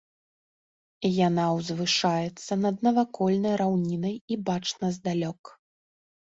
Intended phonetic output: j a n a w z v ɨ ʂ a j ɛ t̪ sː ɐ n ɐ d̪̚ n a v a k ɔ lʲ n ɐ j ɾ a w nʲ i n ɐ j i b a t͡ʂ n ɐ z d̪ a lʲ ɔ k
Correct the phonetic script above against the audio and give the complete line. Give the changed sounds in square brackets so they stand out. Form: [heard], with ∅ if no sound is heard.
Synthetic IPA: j a n a w z v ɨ ʂ a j ɛ t̪ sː ɐ n ɐ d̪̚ n [ɐ] v a k ɔ lʲ n ɐ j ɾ a w nʲ i n ɐ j i b a t͡ʂ n ɐ z d̪ a lʲ ɔ k